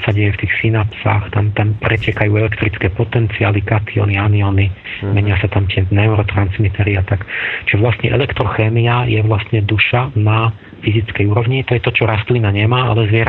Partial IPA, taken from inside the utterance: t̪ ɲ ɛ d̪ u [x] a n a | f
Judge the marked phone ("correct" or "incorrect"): incorrect